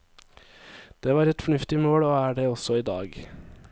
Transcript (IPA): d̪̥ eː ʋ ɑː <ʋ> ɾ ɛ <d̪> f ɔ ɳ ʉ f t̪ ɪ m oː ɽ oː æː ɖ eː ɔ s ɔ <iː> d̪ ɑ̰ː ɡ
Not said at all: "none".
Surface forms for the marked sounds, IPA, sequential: none, t̪, iː

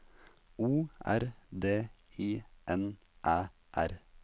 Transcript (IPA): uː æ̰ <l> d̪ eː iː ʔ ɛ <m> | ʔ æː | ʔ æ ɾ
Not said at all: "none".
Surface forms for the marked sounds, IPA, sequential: ɾ, n

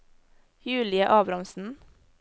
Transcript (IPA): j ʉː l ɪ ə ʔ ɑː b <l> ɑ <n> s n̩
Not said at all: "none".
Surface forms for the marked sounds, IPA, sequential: ɾ, m

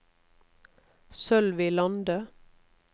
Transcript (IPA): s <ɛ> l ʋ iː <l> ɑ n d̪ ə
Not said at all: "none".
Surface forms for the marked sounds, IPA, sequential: œ, l

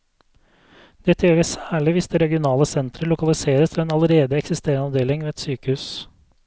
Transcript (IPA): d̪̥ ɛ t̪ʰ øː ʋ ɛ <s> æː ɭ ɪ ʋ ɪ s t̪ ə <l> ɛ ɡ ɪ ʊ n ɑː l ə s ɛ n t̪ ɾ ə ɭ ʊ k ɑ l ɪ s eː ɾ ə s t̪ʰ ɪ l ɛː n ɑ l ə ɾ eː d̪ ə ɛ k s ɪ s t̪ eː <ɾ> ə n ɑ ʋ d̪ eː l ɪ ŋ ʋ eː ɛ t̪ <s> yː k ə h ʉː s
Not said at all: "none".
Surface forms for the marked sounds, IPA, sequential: s, ɾ, ɾ, s

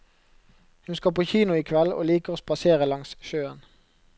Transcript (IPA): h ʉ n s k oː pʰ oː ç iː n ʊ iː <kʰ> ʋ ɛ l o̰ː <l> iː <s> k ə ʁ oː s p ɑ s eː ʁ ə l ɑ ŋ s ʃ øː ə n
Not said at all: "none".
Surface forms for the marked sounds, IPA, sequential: kʰ, l, none

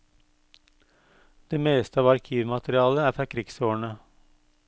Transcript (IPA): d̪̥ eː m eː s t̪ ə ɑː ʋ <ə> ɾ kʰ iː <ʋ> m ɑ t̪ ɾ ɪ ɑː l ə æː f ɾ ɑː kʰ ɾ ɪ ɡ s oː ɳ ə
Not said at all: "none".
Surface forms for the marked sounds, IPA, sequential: ɑ, ʋ

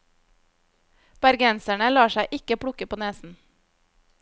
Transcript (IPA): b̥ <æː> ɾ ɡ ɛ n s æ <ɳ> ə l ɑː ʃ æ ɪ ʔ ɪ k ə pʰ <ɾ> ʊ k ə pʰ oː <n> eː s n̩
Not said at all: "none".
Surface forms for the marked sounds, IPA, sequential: æ, ɳ, ɽ, n

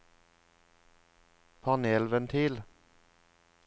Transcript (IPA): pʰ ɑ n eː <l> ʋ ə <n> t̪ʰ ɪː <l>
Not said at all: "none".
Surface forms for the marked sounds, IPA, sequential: l, n, l

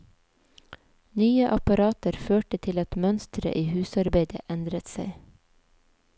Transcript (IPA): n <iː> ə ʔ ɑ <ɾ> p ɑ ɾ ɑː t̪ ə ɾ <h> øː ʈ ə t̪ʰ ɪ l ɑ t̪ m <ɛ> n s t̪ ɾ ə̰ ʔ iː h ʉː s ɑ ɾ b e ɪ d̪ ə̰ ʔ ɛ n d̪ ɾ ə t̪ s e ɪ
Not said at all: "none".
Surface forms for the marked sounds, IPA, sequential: yː, none, f, œ

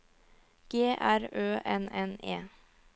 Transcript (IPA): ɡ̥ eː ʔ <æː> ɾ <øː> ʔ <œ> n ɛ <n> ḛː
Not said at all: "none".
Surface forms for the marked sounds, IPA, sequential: æ, øː, ɛ, n

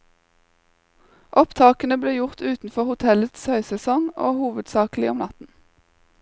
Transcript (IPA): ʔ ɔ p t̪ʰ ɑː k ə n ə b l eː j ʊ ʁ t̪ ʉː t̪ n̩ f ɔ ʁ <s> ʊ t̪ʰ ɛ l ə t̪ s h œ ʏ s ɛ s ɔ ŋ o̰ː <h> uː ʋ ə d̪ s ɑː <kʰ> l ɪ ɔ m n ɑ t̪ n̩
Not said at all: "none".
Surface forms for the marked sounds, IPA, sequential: h, h, k

